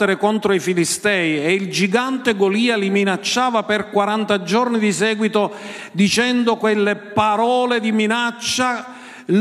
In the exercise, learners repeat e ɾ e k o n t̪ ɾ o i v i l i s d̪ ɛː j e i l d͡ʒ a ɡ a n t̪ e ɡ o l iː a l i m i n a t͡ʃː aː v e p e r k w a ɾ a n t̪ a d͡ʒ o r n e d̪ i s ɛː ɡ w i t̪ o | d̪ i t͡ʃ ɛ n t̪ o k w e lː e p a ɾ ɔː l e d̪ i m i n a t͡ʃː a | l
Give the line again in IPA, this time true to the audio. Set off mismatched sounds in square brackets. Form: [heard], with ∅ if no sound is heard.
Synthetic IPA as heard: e ɾ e k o n t̪ ɾ o i [f] i l i s [t̪] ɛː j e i l d͡ʒ [i] ɡ a n t̪ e ɡ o l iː a l i m i n a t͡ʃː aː v [a] p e r k w a ɾ a n t̪ a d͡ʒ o r n [i] d̪ i s ɛː ɡ w i t̪ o | d̪ i t͡ʃ ɛ n [d̪] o k w e lː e p a ɾ ɔː l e d̪ i m i n a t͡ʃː a | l